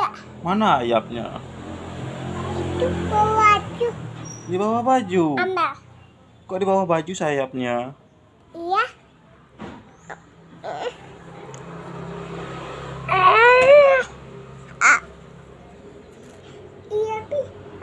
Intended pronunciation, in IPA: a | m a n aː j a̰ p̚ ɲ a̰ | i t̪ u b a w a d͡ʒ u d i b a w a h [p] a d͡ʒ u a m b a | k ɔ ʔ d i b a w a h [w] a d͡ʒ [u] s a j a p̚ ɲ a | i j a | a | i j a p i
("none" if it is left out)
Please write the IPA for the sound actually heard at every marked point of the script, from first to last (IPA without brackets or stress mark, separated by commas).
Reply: b, b, u